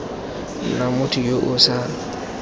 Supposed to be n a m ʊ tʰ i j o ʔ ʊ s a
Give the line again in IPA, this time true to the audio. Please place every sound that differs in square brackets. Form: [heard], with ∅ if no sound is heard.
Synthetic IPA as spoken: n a m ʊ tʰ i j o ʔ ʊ s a